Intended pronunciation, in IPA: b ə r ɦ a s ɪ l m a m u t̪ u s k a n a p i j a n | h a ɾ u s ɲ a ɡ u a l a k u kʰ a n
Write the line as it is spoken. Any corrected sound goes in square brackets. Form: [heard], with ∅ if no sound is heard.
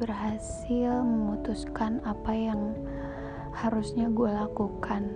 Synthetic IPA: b ə r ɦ a s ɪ l m [ə] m u t̪ u s k a n a p [a] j a [ŋ] | h a ɾ u s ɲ a ɡ u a l a k u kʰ a n